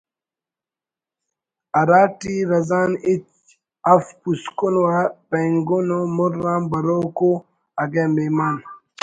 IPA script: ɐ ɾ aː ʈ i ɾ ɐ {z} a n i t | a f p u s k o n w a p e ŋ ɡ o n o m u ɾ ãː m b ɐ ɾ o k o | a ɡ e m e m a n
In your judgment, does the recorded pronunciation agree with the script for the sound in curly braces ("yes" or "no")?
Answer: yes